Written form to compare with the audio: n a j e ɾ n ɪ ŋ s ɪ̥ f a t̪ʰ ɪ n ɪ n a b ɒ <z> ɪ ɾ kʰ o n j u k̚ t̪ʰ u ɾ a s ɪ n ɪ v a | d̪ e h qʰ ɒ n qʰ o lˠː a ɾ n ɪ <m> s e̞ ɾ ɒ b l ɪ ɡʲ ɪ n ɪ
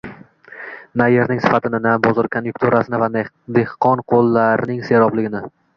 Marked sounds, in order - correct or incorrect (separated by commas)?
correct, incorrect